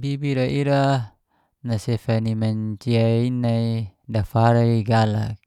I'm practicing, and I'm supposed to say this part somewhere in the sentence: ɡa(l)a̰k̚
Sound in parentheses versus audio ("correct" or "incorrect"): correct